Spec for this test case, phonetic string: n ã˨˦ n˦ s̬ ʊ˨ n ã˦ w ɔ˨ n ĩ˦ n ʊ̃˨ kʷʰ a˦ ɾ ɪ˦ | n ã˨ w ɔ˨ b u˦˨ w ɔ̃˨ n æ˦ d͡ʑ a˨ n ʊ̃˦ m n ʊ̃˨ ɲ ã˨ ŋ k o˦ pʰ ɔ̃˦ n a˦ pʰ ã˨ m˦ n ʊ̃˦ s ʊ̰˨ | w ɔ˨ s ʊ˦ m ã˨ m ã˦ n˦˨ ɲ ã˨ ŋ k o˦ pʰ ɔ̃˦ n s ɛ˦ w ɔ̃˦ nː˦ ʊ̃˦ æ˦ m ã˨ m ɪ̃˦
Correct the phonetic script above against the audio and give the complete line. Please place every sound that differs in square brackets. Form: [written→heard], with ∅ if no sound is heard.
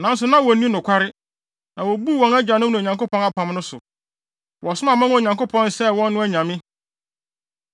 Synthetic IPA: n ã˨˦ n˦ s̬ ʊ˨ n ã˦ w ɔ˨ n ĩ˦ n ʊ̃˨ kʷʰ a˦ ɾ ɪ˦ | n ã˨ w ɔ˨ b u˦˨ w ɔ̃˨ n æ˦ d͡ʑ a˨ n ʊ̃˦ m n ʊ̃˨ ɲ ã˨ ŋ k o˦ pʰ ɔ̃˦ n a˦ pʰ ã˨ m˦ n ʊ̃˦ s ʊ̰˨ | w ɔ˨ s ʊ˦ m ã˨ m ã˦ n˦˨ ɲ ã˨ ŋ k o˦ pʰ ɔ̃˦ n s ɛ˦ w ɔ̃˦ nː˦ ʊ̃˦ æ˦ [m→ɲ] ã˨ m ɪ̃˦